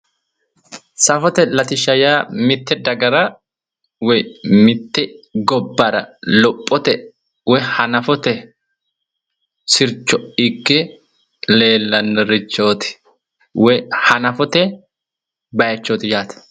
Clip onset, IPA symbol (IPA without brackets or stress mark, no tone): s